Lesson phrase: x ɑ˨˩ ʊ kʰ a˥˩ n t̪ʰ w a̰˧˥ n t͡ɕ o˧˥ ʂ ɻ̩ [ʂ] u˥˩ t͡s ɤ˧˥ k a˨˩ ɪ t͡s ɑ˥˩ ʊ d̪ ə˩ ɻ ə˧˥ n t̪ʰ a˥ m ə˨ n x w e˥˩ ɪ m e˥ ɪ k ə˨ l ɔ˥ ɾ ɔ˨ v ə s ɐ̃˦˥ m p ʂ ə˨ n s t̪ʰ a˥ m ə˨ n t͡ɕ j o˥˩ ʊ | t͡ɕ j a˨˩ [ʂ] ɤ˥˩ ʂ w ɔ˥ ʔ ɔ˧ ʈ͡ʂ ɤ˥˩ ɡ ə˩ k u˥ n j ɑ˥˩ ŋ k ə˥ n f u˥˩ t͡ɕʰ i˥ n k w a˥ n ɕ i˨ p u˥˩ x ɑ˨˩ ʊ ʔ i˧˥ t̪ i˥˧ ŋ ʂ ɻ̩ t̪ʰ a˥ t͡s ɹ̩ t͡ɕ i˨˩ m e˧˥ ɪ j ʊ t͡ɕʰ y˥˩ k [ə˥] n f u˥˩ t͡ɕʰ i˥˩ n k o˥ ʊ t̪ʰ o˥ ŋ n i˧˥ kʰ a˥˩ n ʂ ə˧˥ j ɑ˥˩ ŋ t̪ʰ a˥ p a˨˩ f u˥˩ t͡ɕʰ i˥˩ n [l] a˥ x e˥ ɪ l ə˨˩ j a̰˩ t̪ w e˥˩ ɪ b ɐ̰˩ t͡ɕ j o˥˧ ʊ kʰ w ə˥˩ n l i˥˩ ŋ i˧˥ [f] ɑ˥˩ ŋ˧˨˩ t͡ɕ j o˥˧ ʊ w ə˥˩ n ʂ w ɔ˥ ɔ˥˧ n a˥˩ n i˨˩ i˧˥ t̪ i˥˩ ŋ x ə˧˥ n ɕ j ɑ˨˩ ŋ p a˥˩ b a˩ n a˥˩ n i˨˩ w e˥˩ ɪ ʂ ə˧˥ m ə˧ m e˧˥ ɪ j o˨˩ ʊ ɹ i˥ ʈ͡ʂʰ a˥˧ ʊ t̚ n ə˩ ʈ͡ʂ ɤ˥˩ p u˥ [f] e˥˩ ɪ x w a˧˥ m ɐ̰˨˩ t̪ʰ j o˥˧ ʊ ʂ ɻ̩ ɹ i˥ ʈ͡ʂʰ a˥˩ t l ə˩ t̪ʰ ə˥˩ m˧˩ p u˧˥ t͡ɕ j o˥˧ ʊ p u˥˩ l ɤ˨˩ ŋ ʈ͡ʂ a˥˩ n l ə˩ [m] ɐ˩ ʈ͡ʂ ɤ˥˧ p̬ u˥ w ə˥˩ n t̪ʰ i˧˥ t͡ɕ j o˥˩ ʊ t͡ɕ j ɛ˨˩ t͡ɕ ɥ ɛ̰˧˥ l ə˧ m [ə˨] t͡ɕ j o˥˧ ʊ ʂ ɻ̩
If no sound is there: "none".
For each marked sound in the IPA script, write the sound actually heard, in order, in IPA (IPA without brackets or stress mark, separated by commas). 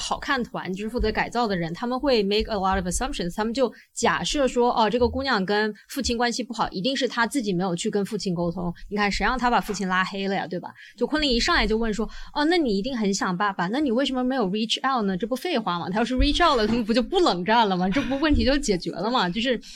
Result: f, ʂ, ə˥, l, ʂ, f, m, ɐ˨